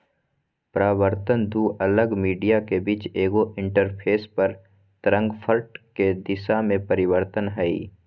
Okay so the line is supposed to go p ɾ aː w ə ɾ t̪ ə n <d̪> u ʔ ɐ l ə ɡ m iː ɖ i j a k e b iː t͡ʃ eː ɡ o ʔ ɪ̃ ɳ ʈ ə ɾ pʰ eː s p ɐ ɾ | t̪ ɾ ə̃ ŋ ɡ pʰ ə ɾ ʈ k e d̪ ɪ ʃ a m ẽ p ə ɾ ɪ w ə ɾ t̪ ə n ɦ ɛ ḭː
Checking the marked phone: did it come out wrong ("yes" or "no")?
no